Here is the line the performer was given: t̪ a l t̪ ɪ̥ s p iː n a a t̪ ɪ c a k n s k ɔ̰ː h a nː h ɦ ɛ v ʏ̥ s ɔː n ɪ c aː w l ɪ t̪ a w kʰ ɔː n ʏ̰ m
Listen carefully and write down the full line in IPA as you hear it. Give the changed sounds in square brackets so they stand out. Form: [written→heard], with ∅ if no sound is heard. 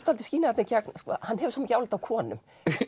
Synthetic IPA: t̪ a l t̪ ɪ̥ s [p→c] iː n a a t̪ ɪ c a k n s k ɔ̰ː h a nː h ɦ ɛ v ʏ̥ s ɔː [n→m] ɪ c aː w l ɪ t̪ a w kʰ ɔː n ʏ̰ m